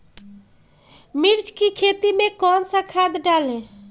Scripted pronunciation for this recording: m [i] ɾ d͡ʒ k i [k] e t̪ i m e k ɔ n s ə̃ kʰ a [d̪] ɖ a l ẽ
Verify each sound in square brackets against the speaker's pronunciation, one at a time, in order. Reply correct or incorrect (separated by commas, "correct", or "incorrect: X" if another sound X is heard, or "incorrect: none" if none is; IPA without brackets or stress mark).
correct, incorrect: kʰ, correct